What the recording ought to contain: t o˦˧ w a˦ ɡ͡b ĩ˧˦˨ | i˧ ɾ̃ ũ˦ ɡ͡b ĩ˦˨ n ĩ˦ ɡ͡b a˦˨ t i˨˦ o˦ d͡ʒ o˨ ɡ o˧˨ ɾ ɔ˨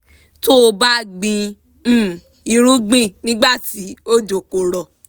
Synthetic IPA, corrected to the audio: t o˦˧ b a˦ ɡ͡b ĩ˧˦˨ | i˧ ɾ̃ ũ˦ ɡ͡b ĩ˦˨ n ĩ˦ ɡ͡b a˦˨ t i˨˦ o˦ d͡ʒ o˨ k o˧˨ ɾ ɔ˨